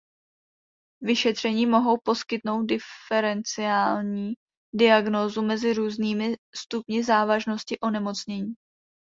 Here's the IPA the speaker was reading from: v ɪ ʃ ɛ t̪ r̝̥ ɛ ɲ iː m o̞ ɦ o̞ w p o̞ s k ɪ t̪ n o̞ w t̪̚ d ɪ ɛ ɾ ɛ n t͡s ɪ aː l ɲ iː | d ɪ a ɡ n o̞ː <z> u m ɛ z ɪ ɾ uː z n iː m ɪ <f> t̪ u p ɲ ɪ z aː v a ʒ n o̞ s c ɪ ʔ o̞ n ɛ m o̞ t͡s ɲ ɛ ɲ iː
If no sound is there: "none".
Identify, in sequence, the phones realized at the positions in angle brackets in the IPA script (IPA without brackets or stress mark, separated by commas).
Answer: z, s